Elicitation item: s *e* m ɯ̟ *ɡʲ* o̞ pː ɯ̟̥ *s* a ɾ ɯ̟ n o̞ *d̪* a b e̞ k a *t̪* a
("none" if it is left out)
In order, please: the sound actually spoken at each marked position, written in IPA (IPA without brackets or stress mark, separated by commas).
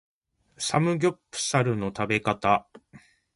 a, ɡʲ, s, t̪, t̪